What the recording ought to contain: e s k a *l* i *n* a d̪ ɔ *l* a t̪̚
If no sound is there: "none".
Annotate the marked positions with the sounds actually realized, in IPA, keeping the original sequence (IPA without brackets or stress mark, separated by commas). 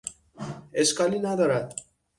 l, n, ɾ